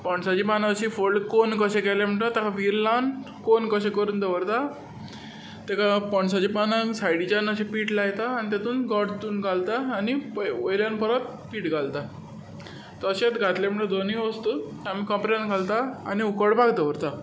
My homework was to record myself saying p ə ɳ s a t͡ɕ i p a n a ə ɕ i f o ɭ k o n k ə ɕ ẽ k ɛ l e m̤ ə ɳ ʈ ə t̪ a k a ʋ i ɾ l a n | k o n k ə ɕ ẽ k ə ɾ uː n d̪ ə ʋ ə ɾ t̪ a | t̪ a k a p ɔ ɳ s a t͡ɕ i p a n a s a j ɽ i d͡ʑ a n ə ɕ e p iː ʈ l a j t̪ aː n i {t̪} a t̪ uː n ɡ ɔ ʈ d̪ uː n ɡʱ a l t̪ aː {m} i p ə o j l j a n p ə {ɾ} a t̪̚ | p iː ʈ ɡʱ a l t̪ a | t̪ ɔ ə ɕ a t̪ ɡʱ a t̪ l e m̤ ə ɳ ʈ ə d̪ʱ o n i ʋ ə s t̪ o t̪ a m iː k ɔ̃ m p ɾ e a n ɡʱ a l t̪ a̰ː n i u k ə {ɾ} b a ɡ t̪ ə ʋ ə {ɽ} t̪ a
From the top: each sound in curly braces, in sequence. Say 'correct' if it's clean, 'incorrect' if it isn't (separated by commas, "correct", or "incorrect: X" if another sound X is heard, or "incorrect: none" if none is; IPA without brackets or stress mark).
correct, incorrect: n, correct, incorrect: ɽ, incorrect: ɾ